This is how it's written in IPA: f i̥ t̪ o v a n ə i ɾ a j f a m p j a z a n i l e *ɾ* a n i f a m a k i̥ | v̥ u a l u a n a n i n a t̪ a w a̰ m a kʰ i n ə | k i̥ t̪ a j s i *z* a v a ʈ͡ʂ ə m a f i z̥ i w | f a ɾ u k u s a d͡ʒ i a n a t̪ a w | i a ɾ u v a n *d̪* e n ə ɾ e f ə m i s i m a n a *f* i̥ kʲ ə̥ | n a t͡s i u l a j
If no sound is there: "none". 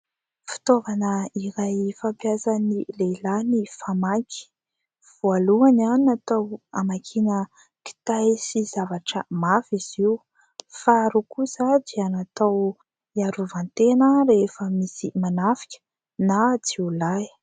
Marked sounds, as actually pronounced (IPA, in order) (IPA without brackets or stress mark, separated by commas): l, z, t̪, f